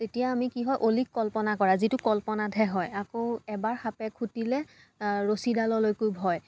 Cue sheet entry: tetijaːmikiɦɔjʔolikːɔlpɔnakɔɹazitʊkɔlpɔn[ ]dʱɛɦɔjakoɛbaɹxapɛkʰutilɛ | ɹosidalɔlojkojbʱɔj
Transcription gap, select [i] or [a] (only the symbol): a